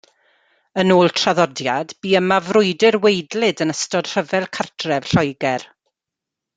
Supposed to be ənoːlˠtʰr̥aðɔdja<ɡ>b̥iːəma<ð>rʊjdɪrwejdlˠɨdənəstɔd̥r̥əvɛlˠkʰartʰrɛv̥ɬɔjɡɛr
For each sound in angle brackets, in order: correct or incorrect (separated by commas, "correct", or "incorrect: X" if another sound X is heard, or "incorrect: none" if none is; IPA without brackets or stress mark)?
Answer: incorrect: d, incorrect: v